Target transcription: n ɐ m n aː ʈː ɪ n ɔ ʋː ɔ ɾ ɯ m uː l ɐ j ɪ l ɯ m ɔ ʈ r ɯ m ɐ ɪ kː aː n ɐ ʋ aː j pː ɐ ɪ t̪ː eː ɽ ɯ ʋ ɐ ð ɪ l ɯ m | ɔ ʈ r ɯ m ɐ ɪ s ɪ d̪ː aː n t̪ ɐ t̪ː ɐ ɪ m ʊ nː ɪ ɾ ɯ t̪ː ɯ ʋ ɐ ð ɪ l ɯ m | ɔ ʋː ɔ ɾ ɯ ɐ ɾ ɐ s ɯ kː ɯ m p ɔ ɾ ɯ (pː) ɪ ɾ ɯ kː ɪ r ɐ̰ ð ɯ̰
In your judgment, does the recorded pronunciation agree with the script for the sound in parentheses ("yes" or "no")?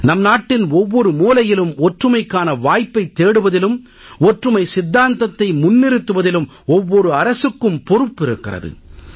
yes